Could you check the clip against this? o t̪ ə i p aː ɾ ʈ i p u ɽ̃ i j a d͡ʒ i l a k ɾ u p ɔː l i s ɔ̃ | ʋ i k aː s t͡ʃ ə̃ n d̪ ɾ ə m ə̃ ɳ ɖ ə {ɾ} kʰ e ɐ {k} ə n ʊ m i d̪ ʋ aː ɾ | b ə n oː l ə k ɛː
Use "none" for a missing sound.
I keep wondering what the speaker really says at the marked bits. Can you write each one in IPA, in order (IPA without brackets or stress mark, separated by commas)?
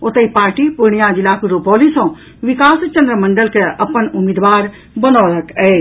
l, p